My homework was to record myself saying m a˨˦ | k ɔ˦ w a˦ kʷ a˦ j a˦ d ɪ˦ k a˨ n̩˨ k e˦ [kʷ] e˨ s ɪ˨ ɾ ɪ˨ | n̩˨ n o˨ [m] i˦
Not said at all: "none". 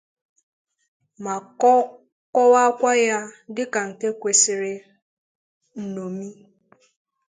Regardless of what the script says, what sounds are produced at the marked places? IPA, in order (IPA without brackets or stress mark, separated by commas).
kʷ, m